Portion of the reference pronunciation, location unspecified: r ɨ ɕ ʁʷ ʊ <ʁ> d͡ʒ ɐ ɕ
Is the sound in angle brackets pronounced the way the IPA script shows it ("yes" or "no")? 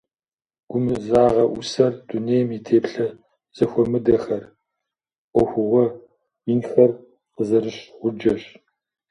no